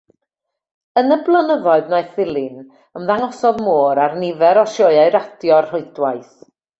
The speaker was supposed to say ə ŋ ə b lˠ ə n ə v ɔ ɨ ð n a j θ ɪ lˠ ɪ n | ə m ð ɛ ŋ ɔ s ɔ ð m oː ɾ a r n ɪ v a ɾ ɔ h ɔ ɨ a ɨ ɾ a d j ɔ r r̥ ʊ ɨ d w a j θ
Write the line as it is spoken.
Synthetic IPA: ə n ə b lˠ ə n ə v ɔ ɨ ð n a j θ ɪ lˠ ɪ n | ə m ð a ŋ ɔ s ɔ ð m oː ɾ a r n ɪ v ɛ ɾ ɔ ʃ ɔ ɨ a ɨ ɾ a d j ɔ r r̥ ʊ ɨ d w a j θ